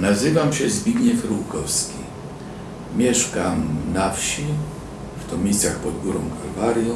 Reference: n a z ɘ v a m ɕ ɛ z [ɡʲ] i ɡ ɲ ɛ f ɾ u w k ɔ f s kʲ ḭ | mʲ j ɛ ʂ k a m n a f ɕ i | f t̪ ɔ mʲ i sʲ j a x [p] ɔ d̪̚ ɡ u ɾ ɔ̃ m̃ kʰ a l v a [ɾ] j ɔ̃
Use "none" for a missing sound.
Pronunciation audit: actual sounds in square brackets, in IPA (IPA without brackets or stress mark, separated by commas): bʲ, p, ɾ